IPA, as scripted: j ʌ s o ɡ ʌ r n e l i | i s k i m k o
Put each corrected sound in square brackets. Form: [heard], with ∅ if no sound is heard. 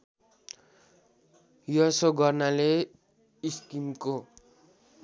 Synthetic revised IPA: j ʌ s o ɡ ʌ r n [a] l [e] | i s k i m k o